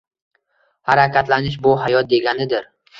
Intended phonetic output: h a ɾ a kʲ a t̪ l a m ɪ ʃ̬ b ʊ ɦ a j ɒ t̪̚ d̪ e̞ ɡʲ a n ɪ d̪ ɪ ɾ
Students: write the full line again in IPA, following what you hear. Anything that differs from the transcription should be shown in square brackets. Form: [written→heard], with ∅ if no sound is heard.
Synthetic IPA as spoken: h a ɾ a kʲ a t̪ l a [m→n] ɪ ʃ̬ b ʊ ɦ a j ɒ t̪̚ d̪ e̞ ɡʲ a n ɪ d̪ ɪ ɾ